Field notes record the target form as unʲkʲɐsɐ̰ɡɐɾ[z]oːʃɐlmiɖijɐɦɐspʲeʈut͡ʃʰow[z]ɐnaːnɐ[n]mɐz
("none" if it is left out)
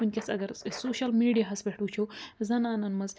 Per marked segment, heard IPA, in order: s, z, n

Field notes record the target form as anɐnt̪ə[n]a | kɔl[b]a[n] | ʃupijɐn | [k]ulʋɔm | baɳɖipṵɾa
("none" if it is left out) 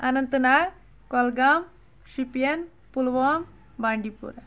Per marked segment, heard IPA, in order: n, ɡ, m, p

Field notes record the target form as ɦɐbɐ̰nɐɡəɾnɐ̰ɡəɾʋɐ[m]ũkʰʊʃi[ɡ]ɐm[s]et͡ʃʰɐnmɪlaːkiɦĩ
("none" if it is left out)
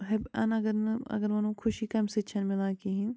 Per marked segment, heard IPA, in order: n, k, s

